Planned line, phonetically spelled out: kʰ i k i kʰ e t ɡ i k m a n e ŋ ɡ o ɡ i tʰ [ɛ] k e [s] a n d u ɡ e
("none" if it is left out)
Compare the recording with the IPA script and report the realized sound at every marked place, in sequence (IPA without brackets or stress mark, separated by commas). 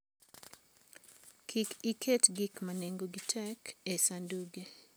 ɛ, s